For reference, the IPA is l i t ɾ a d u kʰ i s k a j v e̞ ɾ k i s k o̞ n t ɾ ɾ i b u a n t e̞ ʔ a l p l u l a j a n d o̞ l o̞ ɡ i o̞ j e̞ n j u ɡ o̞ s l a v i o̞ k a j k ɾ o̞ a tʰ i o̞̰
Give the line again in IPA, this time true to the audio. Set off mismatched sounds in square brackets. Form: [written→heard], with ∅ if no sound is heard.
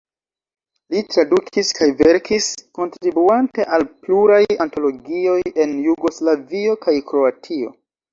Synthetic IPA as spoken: l i t ɾ a d u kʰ i s k a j v e̞ ɾ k i s k o̞ n t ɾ ɾ i b u a n t e̞ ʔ a l p l u [l→ɾ] a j a n [d→t] o̞ l o̞ ɡ i o̞ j e̞ n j u ɡ o̞ s l a v i o̞ k a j k ɾ o̞ a tʰ i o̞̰